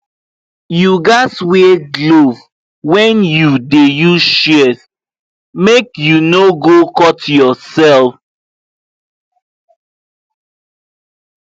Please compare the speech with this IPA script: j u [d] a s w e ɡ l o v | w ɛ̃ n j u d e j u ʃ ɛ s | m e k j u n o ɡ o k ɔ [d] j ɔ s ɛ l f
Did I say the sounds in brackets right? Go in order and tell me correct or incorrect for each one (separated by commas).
incorrect, incorrect